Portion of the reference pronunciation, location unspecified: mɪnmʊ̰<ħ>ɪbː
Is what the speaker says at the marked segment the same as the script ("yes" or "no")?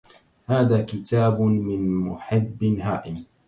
yes